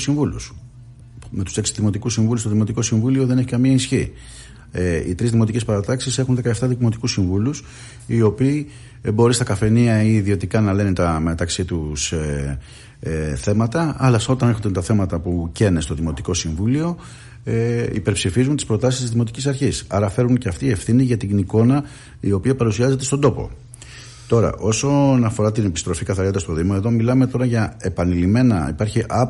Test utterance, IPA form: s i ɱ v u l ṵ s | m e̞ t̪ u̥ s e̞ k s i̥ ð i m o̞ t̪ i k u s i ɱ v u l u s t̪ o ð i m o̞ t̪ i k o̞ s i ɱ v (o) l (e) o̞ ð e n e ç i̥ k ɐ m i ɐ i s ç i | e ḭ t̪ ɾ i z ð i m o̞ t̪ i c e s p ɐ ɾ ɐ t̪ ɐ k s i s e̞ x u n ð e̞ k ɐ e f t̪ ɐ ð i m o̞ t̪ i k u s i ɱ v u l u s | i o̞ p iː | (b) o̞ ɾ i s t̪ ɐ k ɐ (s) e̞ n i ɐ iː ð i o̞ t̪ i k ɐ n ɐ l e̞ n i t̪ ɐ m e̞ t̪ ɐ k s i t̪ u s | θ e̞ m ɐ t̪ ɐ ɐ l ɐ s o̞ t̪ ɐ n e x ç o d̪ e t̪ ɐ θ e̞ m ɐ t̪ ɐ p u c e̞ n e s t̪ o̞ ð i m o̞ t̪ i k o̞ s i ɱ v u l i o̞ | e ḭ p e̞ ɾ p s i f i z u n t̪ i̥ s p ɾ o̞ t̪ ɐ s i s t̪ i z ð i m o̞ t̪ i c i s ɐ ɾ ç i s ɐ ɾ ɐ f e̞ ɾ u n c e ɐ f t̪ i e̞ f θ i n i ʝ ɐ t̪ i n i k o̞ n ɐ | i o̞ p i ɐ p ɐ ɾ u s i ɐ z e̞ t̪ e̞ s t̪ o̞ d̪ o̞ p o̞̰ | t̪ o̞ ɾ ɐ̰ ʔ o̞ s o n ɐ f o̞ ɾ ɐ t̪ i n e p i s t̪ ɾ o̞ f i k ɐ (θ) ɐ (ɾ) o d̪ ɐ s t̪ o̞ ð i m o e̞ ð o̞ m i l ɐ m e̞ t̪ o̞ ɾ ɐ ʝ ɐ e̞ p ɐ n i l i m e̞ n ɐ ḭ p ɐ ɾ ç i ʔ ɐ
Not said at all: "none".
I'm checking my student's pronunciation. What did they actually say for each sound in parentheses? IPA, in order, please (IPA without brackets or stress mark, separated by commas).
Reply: u, i, b, f, θ, ɾ